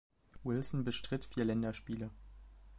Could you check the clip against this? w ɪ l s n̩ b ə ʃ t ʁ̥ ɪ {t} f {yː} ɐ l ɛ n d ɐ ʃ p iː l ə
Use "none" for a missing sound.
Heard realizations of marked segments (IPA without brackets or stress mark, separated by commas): t, iː